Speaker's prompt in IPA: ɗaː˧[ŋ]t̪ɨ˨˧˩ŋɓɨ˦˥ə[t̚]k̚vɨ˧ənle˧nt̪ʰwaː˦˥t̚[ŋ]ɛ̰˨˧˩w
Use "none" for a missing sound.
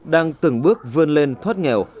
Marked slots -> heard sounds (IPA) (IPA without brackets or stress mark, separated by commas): ŋ, none, ŋ